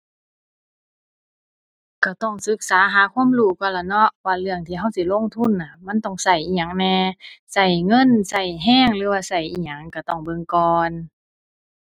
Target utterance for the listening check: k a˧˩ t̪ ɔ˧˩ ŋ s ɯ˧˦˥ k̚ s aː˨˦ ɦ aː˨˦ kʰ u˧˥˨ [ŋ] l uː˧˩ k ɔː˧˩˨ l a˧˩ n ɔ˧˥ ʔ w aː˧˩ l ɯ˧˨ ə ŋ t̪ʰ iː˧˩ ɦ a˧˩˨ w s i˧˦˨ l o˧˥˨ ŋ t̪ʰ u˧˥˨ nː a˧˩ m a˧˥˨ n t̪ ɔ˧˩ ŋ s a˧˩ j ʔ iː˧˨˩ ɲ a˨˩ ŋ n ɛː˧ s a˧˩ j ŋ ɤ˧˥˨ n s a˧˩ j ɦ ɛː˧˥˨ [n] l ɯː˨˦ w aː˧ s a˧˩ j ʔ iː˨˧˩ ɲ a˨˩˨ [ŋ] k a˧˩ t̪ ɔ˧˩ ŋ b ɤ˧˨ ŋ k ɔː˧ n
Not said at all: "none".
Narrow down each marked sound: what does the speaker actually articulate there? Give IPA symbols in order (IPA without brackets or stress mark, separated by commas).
m, ŋ, ŋ